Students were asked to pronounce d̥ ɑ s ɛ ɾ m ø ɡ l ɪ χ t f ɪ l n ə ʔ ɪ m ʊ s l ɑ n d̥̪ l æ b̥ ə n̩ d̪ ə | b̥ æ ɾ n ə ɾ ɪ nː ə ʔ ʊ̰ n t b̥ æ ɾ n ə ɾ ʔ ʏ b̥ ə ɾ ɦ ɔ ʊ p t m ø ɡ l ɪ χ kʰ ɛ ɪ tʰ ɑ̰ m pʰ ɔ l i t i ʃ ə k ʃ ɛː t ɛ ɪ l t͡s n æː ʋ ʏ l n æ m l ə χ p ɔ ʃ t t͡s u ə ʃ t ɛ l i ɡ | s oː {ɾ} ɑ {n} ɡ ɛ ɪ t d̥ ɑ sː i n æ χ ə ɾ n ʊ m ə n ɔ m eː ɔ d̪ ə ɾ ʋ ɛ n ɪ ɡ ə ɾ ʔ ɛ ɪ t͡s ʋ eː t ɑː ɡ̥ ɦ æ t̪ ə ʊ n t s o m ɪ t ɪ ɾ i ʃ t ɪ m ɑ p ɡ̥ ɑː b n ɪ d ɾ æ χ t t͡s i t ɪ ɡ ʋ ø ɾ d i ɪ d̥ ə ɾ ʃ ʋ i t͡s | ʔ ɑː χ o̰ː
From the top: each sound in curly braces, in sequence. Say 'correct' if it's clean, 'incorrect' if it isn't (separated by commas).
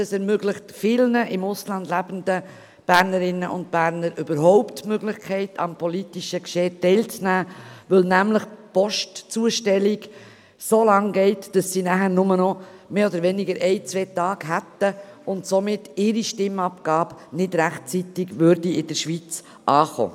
incorrect, incorrect